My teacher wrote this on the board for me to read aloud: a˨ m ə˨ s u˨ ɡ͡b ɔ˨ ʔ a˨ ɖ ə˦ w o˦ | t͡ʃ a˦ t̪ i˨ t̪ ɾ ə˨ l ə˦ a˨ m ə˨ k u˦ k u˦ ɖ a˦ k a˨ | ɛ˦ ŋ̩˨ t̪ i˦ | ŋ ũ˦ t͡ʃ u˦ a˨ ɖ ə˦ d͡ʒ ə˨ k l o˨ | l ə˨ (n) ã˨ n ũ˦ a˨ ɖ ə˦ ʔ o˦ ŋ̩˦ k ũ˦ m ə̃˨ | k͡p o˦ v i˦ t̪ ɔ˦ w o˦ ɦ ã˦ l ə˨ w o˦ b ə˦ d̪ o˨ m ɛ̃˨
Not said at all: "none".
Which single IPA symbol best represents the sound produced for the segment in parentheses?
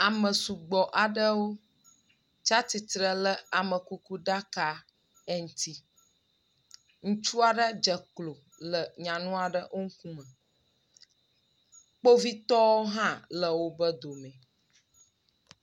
ɲ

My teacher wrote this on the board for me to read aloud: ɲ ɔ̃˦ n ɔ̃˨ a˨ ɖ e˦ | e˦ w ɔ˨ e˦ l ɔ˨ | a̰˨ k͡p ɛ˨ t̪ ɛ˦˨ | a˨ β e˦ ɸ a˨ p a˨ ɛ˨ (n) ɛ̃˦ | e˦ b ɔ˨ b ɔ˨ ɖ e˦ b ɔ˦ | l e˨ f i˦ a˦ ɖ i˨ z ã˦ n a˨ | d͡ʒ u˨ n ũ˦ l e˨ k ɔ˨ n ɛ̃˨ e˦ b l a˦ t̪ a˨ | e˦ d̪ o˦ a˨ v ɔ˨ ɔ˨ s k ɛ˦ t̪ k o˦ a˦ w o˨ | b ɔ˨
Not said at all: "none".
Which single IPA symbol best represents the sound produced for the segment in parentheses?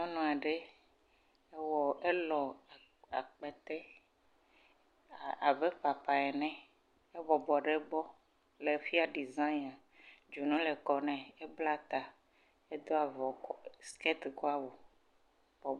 n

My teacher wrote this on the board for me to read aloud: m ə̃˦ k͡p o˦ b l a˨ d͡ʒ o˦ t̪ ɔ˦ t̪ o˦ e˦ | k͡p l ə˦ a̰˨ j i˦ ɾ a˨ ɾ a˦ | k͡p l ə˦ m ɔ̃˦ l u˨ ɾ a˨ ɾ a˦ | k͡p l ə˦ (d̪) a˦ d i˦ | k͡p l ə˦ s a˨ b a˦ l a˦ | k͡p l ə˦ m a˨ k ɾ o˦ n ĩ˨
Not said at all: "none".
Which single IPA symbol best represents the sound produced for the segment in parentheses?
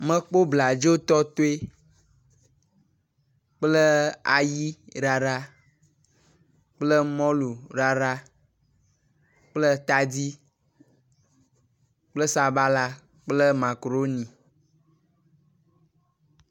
t̪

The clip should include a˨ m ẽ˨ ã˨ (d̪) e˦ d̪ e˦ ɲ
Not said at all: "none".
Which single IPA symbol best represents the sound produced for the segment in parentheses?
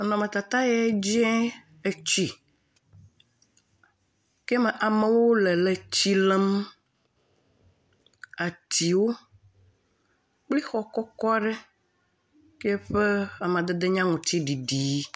d̪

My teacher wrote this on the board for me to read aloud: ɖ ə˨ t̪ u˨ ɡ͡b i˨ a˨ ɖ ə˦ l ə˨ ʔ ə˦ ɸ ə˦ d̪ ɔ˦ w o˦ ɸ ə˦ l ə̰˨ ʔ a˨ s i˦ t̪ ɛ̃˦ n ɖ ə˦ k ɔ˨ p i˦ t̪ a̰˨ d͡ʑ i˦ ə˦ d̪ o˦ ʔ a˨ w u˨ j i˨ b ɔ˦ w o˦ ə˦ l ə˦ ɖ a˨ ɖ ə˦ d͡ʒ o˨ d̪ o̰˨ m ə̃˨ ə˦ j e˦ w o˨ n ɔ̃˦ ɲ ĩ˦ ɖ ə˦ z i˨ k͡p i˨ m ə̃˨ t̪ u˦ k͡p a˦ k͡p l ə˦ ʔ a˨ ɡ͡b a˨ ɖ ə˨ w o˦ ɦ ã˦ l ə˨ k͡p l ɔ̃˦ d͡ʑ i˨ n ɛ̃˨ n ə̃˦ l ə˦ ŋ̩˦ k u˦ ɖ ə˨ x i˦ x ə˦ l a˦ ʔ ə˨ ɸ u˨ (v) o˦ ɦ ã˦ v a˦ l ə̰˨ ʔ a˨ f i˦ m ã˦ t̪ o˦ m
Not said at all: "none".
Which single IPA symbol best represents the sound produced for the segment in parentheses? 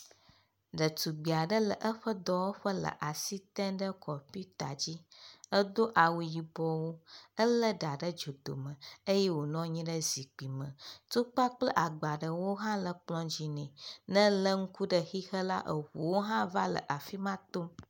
w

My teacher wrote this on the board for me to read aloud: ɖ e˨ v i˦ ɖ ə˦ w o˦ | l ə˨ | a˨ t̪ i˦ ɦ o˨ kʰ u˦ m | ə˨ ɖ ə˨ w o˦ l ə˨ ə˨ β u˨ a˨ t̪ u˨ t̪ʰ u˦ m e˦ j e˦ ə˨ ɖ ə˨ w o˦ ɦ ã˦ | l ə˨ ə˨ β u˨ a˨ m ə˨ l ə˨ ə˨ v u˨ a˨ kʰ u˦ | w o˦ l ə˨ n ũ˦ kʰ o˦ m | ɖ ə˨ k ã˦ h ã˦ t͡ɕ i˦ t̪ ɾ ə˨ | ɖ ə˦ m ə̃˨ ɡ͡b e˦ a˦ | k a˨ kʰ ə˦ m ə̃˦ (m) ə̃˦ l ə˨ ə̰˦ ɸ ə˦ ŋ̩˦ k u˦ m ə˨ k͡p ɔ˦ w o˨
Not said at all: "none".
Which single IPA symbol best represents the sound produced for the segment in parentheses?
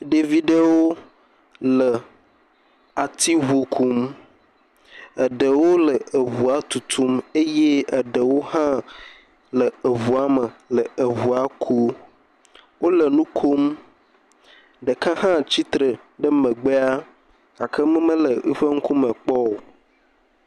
m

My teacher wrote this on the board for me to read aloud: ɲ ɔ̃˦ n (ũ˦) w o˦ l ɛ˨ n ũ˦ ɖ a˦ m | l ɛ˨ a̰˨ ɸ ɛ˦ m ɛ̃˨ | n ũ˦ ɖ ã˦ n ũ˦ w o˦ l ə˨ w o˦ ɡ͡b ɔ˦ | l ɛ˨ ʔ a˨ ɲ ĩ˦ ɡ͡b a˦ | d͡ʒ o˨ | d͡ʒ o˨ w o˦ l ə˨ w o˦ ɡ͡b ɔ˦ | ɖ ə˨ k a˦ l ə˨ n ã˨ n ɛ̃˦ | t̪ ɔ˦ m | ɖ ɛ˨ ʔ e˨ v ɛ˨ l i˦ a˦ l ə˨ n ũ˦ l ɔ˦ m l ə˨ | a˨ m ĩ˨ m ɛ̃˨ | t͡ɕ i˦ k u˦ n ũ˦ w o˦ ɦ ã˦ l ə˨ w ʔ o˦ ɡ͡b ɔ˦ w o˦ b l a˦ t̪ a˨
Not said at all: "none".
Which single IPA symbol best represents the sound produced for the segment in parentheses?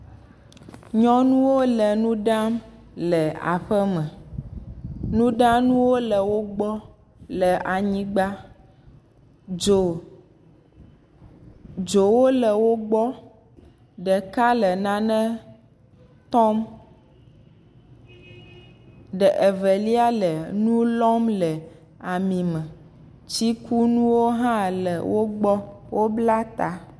ũ˦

